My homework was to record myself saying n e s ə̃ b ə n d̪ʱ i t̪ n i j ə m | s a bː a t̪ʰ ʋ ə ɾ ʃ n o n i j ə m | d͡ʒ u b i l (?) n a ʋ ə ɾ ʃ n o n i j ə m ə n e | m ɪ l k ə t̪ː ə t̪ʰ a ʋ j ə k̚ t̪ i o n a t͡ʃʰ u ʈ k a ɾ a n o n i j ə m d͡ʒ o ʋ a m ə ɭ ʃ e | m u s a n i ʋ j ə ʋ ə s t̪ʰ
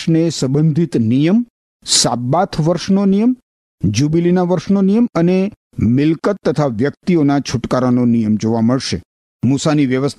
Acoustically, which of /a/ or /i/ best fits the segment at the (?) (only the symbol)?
i